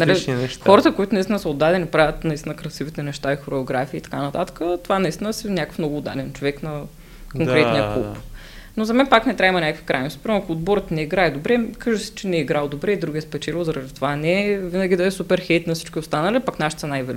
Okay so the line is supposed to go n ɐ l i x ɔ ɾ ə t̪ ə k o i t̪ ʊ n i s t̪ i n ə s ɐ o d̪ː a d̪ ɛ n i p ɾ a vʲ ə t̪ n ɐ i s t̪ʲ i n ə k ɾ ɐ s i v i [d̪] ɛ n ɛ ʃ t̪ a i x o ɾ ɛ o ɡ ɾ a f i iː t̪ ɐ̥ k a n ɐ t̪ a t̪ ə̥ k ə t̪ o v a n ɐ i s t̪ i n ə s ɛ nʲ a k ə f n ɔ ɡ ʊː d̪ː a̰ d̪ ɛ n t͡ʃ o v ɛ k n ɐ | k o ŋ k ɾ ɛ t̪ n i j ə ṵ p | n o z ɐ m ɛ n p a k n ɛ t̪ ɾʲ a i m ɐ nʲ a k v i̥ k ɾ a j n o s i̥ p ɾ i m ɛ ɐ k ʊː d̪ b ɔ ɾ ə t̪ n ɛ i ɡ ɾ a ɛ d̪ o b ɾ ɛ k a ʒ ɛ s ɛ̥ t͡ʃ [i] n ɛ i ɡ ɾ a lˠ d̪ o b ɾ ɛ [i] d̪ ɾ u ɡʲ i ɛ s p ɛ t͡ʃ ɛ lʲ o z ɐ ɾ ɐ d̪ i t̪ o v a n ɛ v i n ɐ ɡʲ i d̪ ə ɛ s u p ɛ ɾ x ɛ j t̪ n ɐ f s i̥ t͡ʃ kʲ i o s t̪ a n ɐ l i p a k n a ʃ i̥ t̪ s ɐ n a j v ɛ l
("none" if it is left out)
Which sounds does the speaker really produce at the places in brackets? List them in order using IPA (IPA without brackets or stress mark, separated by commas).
t̪, ɛ, i